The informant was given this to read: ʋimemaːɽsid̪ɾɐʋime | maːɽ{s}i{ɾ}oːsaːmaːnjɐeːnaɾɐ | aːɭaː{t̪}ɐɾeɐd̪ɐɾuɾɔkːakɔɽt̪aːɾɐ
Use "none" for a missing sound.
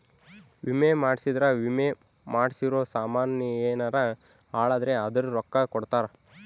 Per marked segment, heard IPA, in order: s, ɾ, d̪

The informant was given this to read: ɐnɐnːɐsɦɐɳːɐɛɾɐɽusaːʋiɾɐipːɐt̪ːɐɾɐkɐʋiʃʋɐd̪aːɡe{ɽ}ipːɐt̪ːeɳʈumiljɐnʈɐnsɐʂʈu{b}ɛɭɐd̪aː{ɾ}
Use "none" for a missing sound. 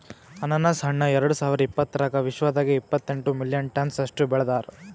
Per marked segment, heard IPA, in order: none, b, ɾ

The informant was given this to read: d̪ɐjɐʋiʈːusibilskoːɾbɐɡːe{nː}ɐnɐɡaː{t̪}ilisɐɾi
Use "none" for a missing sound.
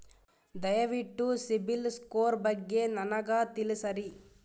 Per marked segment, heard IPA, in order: n, t̪

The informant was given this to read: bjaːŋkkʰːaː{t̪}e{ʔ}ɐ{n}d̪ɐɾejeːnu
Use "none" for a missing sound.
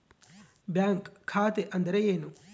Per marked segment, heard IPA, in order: t̪, ʔ, n

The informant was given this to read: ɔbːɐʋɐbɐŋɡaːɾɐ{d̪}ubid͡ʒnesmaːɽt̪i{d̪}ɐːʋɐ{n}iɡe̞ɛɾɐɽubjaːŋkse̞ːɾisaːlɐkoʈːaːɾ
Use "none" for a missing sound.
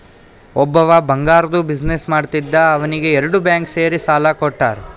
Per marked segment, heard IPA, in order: d̪, d̪ː, n

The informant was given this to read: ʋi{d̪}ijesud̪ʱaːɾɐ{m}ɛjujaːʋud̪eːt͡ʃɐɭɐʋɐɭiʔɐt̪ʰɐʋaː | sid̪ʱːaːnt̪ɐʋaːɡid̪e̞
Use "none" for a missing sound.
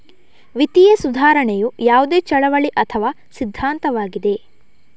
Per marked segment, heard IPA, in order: t̪, ɳ

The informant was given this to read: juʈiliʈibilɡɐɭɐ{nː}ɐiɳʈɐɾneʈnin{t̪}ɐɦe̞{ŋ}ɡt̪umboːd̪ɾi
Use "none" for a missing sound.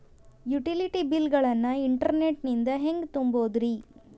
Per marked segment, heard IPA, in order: nː, d̪, ŋ

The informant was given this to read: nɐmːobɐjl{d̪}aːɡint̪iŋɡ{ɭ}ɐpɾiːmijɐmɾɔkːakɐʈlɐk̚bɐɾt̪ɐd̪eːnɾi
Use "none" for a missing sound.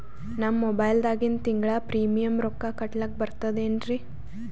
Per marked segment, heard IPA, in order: d̪, ɭ

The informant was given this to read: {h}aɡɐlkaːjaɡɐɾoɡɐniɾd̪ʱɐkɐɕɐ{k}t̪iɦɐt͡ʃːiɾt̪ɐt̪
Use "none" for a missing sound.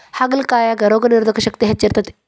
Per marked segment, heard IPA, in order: h, k

